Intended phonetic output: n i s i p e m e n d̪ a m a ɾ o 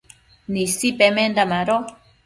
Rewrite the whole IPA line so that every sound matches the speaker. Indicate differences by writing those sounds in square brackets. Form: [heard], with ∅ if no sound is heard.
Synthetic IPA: n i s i p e m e n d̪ a m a ɾ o